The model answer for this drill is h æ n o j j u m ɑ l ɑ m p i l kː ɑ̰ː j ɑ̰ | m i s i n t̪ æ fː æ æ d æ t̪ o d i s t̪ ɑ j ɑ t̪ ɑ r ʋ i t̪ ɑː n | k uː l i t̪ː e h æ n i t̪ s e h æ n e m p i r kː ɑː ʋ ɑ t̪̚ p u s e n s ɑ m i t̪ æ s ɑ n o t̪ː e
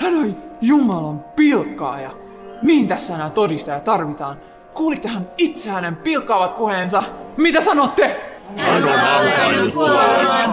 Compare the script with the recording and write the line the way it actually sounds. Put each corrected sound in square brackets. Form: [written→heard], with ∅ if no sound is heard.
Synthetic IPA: h æ n o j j u m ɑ l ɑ m p i l kː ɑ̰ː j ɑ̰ | m i [s→h] i n t̪ æ [fː→sː] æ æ [d→n] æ t̪ o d i s t̪ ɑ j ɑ t̪ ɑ r ʋ i t̪ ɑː n | k uː l i t̪ː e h æ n i t̪ s e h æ n e m p i [r→l] kː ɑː ʋ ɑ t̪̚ p u [s→h] e n s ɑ m i t̪ æ s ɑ n o t̪ː e